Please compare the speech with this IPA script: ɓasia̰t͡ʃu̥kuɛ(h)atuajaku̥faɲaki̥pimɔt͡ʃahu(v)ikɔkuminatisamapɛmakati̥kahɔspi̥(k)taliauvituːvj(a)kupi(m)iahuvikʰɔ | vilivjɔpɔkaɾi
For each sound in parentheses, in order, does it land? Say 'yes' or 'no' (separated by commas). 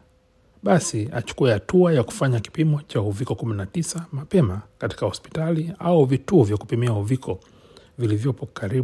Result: yes, yes, no, yes, yes